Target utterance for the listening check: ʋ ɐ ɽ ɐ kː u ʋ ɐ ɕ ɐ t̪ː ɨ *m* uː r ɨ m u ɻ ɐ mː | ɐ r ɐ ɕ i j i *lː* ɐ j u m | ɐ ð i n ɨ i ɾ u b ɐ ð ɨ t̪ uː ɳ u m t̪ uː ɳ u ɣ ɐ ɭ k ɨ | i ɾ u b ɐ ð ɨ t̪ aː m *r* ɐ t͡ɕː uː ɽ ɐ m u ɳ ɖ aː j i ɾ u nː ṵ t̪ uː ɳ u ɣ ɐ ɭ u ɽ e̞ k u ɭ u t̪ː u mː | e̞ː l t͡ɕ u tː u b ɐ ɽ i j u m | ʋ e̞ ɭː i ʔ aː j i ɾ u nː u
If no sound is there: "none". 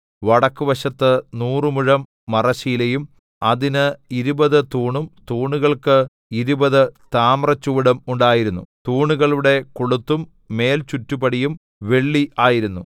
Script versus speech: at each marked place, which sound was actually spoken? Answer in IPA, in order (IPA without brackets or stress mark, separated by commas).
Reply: n, l, r